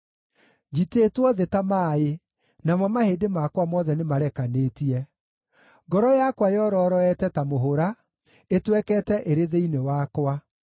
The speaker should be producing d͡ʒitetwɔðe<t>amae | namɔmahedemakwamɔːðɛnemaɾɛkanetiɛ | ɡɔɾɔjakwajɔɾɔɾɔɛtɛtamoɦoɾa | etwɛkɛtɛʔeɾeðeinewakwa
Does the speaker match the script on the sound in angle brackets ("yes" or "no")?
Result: yes